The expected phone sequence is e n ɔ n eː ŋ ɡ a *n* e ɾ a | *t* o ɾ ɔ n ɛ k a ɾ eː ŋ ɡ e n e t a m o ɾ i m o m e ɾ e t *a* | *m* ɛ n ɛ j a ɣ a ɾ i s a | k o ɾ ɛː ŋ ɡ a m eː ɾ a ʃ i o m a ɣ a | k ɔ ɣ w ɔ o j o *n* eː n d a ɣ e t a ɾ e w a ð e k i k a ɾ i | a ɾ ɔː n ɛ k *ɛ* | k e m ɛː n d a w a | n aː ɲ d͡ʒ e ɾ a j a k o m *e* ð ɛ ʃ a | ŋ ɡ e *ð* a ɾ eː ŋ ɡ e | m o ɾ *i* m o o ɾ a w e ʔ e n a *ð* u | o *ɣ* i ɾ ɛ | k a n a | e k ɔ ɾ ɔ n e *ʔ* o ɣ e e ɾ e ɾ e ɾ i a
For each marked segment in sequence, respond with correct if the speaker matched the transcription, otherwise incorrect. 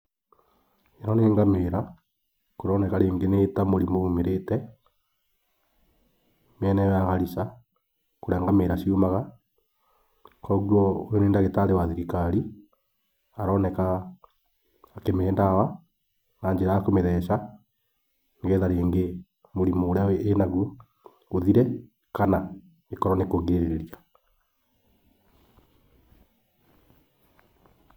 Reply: incorrect: m, incorrect: k, incorrect: ɛ, correct, correct, incorrect: a, correct, correct, correct, incorrect: ɣ, incorrect: ð, incorrect: k

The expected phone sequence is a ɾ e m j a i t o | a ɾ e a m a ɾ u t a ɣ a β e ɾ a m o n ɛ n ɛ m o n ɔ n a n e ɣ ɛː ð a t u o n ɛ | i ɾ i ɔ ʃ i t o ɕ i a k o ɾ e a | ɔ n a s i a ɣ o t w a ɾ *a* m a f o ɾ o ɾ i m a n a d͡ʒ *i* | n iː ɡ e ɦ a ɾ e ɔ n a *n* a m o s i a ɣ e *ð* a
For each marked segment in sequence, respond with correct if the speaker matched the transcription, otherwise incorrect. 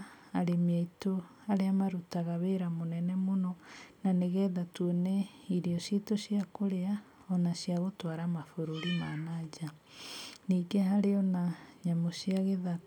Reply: correct, incorrect: a, incorrect: ɲ, correct

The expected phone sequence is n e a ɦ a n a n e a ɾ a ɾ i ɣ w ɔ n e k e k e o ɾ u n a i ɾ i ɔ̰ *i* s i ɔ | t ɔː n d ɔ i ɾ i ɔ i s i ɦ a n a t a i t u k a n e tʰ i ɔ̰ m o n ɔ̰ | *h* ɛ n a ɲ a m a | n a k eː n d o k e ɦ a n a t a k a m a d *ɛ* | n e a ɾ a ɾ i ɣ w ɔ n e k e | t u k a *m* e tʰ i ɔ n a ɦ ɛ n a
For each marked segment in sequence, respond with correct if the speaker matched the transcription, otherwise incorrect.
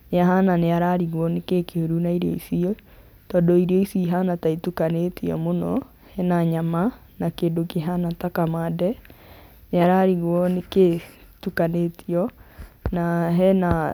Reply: correct, correct, correct, incorrect: n

